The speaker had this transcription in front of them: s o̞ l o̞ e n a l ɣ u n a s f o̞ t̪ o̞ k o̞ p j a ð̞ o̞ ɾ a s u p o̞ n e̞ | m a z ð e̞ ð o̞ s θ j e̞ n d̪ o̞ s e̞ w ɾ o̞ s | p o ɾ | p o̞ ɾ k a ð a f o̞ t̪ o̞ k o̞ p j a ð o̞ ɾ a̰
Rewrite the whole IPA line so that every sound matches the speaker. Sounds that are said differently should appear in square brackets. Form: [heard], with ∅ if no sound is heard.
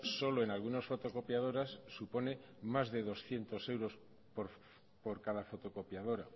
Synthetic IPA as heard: s o̞ l o̞ e n a l ɣ u n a s f o̞ t̪ o̞ k o̞ p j a ð̞ o̞ ɾ a [sː] u p o̞ n e̞ | m a z ð e̞ ð o̞ s θ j e̞ n [t̪] o̞ s e̞ w ɾ o̞ s | p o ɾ | p o̞ ɾ k a ð a f o̞ t̪ o̞ k o̞ p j a ð o̞ ɾ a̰